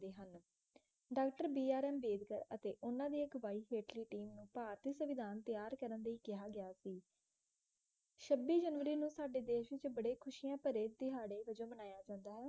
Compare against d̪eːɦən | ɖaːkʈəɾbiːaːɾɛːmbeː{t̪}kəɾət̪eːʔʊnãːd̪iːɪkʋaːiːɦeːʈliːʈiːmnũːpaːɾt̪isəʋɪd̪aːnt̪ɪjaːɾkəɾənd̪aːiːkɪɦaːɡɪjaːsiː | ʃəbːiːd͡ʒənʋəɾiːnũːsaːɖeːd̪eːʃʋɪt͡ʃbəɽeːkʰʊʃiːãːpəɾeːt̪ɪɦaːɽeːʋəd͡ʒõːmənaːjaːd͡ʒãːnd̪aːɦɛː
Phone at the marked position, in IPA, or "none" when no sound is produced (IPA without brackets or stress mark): d̪